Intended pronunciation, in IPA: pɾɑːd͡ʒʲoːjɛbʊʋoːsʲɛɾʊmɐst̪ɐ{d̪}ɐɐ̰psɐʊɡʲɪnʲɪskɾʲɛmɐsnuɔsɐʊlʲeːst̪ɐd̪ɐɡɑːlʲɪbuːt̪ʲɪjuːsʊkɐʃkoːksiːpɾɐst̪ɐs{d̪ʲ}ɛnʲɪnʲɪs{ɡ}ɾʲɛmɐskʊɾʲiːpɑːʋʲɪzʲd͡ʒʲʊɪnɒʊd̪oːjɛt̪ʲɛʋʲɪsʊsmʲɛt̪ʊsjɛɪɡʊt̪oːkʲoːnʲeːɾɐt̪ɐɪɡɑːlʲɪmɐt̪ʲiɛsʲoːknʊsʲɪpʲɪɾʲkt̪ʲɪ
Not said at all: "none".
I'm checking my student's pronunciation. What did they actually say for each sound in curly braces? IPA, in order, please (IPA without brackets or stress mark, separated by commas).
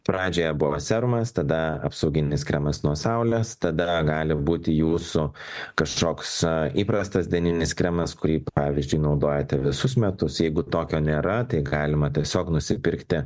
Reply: d̪, d̪ʲ, k